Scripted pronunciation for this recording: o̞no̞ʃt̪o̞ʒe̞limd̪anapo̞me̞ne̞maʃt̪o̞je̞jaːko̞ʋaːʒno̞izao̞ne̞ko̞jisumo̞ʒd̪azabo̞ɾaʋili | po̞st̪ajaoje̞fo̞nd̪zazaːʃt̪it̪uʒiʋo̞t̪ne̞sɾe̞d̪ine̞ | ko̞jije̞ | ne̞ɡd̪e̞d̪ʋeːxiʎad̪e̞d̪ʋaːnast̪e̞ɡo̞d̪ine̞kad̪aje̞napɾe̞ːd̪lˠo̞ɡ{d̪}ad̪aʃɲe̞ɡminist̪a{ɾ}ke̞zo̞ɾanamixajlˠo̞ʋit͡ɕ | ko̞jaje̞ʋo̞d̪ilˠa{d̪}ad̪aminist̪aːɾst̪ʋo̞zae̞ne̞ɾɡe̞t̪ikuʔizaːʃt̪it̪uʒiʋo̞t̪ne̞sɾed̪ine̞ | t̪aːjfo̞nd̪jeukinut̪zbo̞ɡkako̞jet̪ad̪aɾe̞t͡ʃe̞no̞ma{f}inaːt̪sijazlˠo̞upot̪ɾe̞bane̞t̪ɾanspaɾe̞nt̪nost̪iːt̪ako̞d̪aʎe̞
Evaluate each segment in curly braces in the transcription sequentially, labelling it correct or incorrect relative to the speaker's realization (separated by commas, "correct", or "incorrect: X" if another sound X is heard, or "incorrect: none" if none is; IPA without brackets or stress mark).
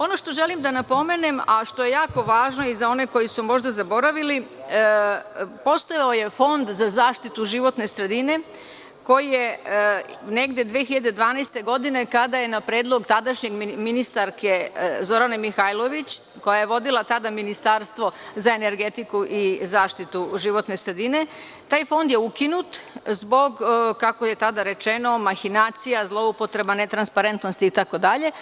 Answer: incorrect: t̪, correct, incorrect: t̪, incorrect: x